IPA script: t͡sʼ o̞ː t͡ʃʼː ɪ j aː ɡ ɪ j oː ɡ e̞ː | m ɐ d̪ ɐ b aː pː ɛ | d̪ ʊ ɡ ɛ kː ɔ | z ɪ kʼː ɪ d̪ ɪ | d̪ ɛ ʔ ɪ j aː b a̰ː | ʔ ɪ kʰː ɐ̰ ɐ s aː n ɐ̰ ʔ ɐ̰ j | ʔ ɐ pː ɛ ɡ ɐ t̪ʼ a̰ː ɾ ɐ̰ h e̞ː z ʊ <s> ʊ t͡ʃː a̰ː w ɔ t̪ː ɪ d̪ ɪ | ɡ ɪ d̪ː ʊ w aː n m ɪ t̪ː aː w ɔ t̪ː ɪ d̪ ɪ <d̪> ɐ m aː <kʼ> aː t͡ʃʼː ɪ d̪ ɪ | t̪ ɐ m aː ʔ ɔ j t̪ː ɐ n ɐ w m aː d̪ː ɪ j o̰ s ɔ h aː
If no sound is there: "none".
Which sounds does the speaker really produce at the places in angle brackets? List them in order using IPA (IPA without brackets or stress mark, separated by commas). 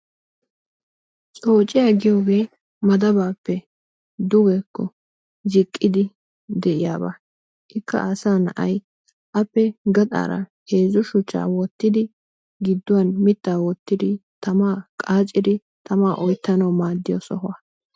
ʃ, t̪, kʼ